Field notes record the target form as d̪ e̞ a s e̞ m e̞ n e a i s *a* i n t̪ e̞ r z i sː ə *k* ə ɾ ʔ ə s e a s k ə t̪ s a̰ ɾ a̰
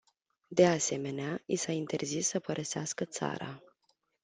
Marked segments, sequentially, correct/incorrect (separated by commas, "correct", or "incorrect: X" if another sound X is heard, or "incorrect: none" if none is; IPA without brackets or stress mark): correct, incorrect: p